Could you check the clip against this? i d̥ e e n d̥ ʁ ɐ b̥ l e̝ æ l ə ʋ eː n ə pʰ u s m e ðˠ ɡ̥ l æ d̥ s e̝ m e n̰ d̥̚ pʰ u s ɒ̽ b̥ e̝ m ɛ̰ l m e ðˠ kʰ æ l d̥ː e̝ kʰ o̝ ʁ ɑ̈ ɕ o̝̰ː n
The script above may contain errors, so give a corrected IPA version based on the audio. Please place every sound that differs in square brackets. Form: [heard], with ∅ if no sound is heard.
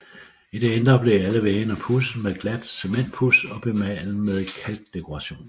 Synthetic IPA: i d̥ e e n d̥ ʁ ɐ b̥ l e̝ æ l ə ʋ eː n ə pʰ u s m e ðˠ ɡ̥ l æ d̥ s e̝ m e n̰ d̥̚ pʰ u s ɒ̽ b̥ e̝ m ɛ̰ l m e ðˠ kʰ æ l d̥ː e̝ kʰ o̝ ʁ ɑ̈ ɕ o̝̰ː n